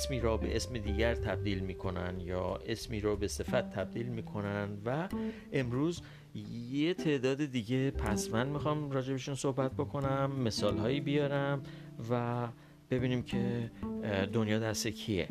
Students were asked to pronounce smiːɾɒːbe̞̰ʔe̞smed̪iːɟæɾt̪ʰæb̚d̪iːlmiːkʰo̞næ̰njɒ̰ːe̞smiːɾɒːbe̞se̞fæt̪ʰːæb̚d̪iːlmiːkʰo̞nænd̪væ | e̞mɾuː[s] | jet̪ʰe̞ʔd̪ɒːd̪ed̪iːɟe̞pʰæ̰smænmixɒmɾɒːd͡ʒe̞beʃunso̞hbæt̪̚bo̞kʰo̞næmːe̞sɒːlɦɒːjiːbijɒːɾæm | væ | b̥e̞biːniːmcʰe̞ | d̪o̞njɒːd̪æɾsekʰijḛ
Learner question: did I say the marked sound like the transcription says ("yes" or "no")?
no